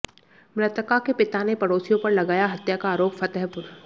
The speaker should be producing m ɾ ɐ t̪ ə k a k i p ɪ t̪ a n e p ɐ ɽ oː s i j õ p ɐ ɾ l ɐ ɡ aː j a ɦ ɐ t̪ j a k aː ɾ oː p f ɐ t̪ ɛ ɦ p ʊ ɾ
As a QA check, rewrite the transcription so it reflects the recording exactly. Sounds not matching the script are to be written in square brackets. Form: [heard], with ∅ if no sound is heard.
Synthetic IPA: m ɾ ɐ t̪ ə k a k [e] p ɪ t̪ a n e p ɐ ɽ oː s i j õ p ɐ ɾ l ɐ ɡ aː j a ɦ ɐ t̪ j a k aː ɾ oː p f ɐ t̪ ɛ ɦ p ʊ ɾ